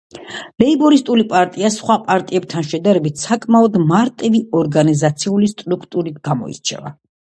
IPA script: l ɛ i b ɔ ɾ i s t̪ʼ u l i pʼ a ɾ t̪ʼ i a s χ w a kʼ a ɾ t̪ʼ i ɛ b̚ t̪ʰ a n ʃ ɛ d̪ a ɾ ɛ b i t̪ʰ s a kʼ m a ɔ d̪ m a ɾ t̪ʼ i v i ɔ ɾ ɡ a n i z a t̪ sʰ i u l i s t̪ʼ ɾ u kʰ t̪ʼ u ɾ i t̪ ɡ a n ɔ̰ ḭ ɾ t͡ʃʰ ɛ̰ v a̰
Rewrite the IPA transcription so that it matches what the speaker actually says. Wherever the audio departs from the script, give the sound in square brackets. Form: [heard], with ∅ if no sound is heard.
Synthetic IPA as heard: l ɛ i b ɔ ɾ i s t̪ʼ u l i pʼ a ɾ t̪ʼ i a s χ w a [pʼ] a ɾ t̪ʼ i ɛ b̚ t̪ʰ a n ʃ ɛ d̪ a ɾ ɛ b i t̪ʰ s a kʼ m a ɔ d̪ m a ɾ t̪ʼ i v i ɔ ɾ ɡ a n i z a t̪ sʰ i u l i s t̪ʼ ɾ u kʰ t̪ʼ u ɾ i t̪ ɡ a [m] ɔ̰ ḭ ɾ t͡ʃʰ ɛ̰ v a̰